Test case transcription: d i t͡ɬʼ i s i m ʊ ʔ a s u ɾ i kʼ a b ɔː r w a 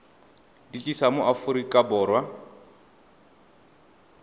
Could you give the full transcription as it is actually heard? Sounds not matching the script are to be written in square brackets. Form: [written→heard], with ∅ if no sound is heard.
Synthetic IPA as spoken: d i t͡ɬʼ i s [i→a] m ʊ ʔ a [s→f] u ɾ i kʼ a b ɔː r w a